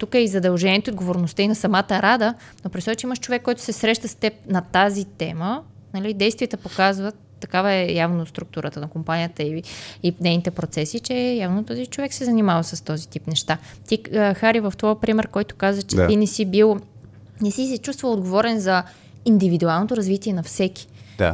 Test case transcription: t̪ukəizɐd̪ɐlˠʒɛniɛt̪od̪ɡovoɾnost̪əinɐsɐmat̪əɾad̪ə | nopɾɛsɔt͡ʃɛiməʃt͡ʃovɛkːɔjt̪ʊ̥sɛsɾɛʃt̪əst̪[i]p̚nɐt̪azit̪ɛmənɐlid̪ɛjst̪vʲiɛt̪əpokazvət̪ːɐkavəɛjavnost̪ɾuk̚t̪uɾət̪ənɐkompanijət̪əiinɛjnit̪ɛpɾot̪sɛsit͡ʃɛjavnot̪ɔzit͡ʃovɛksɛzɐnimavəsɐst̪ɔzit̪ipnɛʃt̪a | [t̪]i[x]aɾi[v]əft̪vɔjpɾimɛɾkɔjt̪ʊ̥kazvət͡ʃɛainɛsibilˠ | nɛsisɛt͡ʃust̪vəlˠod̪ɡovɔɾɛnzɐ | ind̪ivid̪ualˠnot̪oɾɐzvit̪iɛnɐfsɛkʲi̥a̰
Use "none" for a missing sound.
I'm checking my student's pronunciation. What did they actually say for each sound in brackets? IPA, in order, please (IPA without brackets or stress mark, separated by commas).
ɛ, t̪, x, v